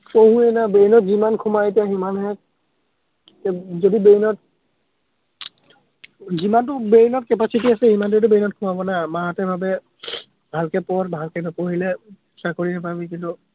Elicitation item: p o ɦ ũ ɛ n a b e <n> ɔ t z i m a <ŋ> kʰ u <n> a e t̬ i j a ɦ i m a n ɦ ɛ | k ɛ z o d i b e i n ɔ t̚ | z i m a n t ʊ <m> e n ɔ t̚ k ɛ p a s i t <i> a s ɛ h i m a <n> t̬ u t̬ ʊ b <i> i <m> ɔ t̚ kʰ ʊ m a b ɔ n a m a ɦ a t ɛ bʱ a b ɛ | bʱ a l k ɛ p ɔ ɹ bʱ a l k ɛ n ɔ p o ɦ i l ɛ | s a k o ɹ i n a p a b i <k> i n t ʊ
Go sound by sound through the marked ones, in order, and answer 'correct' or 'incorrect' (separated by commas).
correct, incorrect, incorrect, incorrect, correct, correct, incorrect, incorrect, correct